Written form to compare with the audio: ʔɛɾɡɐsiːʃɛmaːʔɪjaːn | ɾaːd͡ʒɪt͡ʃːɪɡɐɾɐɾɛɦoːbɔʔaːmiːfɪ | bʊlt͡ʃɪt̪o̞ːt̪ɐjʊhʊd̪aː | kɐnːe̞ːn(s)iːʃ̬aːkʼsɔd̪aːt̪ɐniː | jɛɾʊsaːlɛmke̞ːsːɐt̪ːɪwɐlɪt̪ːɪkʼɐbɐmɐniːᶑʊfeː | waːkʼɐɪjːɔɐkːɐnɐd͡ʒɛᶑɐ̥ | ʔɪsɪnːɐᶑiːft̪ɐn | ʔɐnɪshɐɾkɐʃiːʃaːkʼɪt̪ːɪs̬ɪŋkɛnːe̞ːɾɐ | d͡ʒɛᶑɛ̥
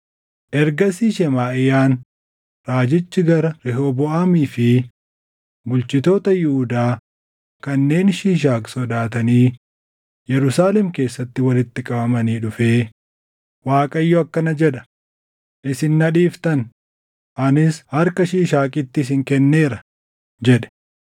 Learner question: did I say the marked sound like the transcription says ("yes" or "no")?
no